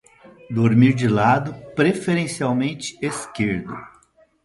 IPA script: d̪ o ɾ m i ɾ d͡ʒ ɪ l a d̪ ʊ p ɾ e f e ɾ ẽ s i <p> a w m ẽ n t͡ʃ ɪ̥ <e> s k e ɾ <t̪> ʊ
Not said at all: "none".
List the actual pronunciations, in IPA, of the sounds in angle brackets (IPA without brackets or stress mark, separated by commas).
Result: none, e, d̪